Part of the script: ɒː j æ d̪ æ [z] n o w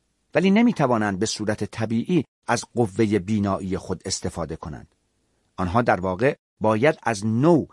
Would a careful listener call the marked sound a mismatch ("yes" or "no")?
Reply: no